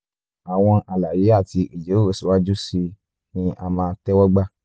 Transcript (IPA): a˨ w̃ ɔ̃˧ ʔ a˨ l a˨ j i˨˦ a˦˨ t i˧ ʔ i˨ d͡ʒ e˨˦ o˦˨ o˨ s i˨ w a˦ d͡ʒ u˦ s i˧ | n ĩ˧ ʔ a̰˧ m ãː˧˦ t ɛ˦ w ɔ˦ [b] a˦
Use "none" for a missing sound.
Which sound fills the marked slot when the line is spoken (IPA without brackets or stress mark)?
ɡ͡b